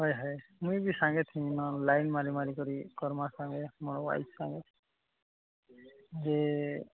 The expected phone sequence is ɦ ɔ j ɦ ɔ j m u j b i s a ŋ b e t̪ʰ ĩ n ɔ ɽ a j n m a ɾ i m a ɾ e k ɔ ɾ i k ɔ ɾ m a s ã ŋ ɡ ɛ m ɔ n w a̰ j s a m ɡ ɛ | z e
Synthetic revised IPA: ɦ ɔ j ɦ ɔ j m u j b i s a ŋ ɡ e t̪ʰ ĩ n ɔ l a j n m a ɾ i m a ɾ i k ɔ ɾ i k ɔ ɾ m a s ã ŋ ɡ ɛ m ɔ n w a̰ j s a ŋ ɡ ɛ | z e